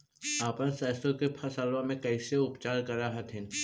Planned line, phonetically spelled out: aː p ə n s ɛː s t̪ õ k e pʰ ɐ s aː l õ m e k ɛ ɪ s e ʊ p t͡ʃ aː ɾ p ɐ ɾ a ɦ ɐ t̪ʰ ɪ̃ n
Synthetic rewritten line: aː p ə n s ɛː s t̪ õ k e pʰ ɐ s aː l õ m ẽ k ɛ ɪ s e ʊ p t͡ʃ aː ɾ k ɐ ɾ a ɦ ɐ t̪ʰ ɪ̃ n

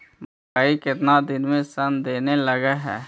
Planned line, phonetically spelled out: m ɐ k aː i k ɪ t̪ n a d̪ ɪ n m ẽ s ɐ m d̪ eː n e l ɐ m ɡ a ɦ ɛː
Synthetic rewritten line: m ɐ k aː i k ɪ t̪ n a d̪ ɪ n m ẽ s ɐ n d̪ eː n e l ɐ ɡ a ɦ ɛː

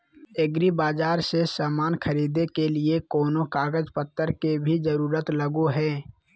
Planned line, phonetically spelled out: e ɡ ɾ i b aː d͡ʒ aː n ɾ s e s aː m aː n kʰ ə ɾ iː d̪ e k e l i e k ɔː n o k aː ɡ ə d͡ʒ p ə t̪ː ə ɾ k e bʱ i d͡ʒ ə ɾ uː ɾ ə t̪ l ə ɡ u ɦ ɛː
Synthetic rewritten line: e ɡ ɾ i b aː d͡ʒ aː ɾ s e s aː m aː n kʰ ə ɾ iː d̪ e k e l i e k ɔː n o k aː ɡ ə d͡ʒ p ə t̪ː ə ɾ k e bʱ i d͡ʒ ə ɾ uː ɾ ə t̪ l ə ɡ u ɦ ɛː

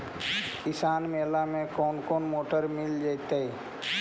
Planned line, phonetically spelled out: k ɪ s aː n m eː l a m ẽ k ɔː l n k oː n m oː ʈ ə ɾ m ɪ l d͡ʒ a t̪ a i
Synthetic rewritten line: k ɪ s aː n m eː l a m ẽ k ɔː n k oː n m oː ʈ ə ɾ m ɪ l d͡ʒ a t̪ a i

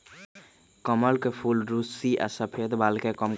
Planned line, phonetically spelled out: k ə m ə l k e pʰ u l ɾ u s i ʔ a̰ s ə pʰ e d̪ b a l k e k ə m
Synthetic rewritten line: k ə m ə l k e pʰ u l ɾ u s i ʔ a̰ s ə pʰ e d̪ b a l k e k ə m

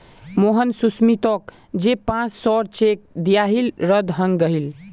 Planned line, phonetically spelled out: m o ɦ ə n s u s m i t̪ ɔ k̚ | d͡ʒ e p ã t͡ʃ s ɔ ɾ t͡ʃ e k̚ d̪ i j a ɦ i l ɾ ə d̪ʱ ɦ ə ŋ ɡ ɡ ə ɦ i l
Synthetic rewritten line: m o ɦ ə n s u s m i t̪ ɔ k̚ | d͡ʒ e p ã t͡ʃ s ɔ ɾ t͡ʃ e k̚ d̪ i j a ɦ i l ɾ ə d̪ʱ ɦ ə ŋ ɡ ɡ ə ɦ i l

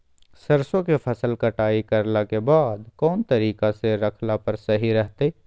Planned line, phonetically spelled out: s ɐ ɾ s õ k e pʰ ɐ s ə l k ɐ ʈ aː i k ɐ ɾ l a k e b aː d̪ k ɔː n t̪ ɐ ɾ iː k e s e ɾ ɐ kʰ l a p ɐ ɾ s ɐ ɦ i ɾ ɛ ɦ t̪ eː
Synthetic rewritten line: s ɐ ɾ s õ k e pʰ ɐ s ə l k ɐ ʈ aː i k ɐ ɾ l a k e b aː d̪ k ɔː n t̪ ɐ ɾ iː k a s e ɾ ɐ kʰ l a p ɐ ɾ s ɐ ɦ i ɾ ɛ ɦ t̪ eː

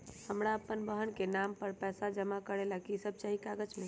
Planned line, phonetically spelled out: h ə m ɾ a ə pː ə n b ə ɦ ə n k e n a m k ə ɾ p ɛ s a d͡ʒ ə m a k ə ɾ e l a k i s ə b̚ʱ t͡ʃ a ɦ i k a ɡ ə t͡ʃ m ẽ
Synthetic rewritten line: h ə m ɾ a ə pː ə n b ə ɦ ə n k e n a m p ə ɾ p ɛ s a d͡ʒ ə m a k ə ɾ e l a k i s ə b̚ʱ t͡ʃ a ɦ i k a ɡ ə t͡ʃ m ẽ

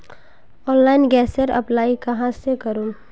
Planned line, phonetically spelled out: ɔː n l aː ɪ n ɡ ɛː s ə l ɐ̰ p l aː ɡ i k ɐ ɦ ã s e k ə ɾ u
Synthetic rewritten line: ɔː n l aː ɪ n ɡ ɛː s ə ɾ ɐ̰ p l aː i k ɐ ɦ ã s e k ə ɾ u

